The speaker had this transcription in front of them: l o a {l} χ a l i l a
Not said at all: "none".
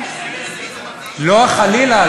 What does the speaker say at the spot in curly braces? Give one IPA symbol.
none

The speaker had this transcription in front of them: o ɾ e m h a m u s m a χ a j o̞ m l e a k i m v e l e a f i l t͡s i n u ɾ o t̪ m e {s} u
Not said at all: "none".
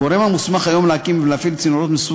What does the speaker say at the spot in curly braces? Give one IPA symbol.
s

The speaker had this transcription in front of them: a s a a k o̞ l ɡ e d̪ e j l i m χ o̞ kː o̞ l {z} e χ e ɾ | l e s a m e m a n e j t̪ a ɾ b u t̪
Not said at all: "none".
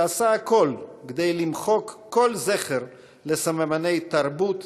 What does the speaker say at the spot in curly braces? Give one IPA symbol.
z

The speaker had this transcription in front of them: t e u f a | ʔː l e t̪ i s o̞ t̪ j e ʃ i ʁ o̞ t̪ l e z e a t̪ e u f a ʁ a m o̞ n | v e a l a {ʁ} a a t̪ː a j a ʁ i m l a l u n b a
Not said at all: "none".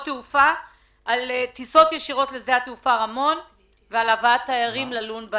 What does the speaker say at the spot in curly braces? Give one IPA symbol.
v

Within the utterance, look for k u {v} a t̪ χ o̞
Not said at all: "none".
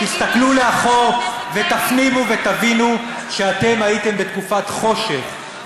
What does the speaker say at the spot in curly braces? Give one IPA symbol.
f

